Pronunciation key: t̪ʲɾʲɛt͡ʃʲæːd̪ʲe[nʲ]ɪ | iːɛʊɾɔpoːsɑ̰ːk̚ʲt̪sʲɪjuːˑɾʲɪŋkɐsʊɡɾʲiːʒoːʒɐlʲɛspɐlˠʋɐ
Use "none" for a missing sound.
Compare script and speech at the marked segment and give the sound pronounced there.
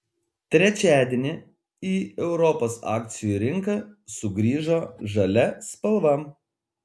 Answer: nʲ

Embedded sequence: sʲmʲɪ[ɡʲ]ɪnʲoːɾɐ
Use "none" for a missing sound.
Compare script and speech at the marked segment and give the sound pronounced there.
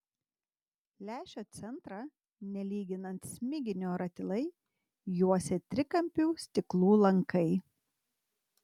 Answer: ɡʲ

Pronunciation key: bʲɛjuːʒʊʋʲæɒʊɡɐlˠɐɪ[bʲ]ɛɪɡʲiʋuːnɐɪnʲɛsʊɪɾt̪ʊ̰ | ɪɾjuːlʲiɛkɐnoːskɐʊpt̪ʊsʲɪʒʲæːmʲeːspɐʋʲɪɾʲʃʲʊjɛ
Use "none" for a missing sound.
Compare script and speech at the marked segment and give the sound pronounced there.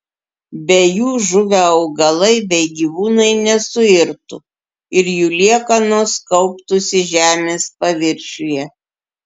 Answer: bʲ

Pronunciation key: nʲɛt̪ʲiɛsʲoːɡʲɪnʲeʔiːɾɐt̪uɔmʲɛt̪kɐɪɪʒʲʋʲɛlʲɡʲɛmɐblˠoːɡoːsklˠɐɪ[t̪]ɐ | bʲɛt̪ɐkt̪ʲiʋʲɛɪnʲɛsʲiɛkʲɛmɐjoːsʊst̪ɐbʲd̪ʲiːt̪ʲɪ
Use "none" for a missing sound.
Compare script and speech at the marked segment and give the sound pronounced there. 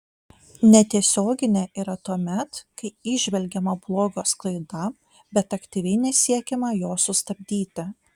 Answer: d̪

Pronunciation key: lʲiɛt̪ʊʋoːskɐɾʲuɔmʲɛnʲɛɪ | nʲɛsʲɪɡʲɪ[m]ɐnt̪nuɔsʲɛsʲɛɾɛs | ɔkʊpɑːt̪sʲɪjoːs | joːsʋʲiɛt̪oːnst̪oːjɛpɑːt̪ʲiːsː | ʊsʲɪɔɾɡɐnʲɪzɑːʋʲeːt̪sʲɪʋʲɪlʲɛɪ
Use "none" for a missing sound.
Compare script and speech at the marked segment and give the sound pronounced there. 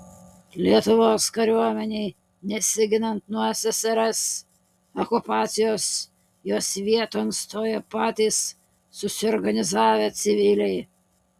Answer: n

